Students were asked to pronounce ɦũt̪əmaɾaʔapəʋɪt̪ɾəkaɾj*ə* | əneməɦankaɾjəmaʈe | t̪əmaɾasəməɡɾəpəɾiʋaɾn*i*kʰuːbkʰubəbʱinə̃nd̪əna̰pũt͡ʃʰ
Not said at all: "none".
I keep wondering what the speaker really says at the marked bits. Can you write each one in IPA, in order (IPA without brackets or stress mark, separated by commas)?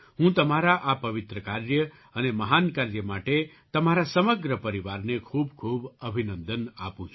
ə, e